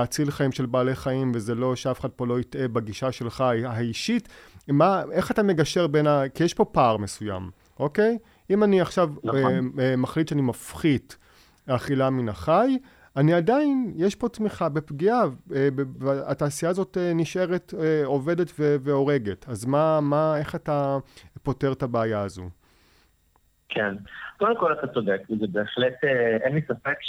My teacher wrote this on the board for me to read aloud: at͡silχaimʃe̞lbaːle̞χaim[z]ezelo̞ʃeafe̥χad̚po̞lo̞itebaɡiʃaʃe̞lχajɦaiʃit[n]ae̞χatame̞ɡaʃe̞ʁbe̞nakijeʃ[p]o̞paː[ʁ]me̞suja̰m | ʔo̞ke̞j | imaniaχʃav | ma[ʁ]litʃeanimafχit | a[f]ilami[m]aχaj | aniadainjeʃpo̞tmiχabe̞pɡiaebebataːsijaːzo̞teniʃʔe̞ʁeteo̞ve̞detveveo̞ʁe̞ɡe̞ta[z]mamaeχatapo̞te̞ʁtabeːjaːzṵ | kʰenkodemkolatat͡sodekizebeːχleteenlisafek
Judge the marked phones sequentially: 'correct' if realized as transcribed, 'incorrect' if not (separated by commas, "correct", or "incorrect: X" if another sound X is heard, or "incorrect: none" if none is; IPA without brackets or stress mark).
incorrect: v, incorrect: m, correct, correct, incorrect: χ, incorrect: χ, incorrect: n, correct